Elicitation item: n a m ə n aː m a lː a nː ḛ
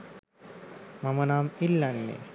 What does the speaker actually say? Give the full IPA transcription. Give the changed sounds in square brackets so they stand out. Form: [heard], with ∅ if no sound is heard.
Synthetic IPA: [m] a m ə n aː m [i] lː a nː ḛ